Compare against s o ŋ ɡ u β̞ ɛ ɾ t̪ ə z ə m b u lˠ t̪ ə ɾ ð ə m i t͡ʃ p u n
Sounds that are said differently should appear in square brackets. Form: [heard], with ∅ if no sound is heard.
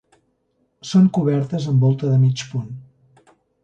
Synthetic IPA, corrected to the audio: s o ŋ [k] u β̞ ɛ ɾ t̪ ə z ə m b [ɔ] lˠ t̪ ə [∅] ð ə m i t͡ʃ p u n